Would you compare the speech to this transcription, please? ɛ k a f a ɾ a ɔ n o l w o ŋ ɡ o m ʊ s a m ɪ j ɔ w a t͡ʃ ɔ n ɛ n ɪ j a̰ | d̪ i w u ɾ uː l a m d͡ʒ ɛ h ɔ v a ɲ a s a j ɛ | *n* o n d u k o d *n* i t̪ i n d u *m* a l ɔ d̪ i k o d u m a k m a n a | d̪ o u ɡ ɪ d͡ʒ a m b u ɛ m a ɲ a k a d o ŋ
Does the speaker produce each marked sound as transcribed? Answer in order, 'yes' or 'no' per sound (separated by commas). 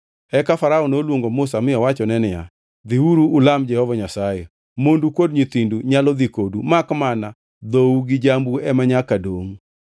no, no, no